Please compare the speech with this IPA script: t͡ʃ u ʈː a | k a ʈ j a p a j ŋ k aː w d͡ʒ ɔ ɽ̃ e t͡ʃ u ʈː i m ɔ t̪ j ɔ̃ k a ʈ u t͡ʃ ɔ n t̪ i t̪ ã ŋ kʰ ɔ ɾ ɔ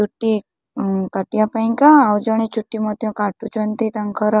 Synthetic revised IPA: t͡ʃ u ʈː i | k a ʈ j a p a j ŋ k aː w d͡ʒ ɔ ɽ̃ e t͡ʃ u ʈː i m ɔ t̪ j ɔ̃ k a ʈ u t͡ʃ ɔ n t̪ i t̪ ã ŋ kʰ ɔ ɾ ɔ